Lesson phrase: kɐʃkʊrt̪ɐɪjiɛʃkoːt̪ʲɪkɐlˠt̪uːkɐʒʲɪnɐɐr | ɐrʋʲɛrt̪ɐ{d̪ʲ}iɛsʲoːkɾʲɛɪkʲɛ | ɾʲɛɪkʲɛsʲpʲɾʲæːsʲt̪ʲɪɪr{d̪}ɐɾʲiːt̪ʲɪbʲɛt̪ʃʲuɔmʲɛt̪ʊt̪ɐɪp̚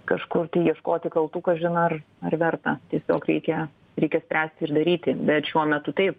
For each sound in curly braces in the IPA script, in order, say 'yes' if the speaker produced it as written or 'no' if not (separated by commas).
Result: no, yes